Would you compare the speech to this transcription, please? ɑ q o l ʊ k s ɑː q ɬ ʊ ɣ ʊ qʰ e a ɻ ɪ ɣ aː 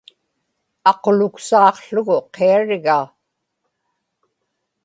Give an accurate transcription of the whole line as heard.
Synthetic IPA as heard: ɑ q o l ʊ k s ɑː q ɬ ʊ ɣ ʊ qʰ e a ɻ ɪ ɣ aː